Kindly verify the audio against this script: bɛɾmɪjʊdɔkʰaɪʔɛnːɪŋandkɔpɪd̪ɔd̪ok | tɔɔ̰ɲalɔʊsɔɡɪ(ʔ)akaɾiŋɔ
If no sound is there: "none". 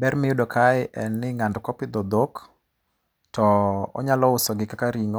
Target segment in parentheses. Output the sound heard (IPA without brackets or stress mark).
k